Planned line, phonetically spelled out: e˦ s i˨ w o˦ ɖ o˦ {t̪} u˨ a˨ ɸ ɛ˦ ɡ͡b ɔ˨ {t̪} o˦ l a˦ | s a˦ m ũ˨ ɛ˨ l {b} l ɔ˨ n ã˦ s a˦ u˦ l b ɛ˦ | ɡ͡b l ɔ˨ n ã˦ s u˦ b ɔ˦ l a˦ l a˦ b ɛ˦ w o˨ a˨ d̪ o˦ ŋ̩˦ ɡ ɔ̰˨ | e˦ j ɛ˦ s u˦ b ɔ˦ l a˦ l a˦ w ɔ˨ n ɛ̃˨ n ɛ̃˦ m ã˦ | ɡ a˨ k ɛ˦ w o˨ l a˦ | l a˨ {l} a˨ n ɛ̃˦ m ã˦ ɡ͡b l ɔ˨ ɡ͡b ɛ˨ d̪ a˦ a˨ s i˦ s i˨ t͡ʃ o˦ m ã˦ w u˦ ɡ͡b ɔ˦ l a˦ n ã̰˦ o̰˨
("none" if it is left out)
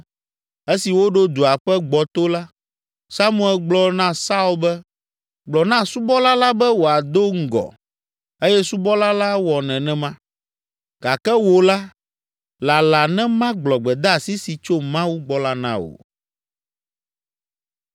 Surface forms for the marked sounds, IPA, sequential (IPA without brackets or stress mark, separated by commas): d̪, t̪, ɡ͡b, l